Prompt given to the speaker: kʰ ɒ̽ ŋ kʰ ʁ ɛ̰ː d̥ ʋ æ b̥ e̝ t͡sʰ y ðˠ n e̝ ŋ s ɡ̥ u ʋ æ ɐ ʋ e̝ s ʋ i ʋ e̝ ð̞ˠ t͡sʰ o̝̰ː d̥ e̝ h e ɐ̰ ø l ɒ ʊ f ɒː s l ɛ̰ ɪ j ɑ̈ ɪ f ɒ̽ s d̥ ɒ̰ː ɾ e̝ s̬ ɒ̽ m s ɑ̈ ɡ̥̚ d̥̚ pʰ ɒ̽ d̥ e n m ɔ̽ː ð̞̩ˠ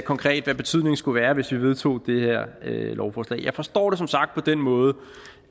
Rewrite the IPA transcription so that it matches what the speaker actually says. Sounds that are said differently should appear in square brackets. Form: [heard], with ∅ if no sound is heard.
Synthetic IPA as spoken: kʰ ɒ̽ ŋ kʰ ʁ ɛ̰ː d̥ ʋ æ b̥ e̝ t͡sʰ y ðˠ n e̝ ŋ s ɡ̥ u ʋ [æː] ɐ ʋ e̝ s ʋ i ʋ e̝ ð̞ˠ t͡sʰ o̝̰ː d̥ e̝ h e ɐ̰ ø l ɒ ʊ f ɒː s l ɛ̰ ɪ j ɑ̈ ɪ f ɒ̽ s d̥ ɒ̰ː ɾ e̝ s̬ ɒ̽ m s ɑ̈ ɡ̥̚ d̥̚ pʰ ɒ̽ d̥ e n m ɔ̽ː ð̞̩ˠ